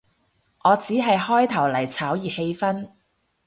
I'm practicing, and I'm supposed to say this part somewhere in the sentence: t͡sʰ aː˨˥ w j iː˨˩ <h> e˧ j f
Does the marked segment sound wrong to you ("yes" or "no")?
no